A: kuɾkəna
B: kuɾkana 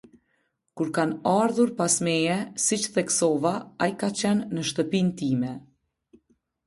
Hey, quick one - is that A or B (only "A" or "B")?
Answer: B